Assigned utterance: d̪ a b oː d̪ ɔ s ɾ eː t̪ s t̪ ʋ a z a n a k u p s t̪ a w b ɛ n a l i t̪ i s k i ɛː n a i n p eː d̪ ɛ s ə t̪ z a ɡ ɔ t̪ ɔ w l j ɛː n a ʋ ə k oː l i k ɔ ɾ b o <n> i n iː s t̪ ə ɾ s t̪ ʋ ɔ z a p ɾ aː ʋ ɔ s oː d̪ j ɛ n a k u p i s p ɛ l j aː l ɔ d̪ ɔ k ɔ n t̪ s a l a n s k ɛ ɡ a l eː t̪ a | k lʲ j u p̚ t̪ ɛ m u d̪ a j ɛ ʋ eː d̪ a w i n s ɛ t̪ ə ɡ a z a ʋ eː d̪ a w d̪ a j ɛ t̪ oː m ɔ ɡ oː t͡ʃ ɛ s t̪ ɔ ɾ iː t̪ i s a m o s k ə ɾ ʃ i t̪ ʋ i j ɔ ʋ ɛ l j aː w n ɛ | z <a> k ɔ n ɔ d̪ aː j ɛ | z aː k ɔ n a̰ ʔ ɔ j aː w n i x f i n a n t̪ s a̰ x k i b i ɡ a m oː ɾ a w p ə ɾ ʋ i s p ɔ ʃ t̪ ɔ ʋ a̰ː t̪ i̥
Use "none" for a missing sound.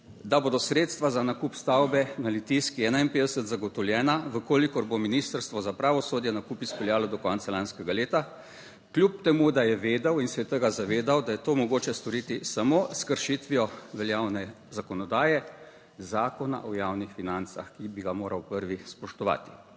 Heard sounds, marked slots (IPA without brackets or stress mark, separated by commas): m, a